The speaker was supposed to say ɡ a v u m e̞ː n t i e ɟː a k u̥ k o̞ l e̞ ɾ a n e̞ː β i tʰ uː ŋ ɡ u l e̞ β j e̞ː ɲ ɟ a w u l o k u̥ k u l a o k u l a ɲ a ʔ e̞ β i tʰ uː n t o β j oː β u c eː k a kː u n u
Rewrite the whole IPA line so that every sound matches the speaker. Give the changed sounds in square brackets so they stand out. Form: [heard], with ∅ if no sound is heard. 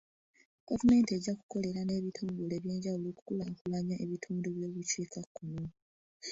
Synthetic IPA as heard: ɡ a v u m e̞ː n t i e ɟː a k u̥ k o̞ l e̞ ɾ a n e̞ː β i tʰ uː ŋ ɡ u l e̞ β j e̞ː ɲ ɟ a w u l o k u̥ k u l a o k u l a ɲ a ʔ e̞ β i tʰ uː n [d] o β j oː β u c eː k a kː u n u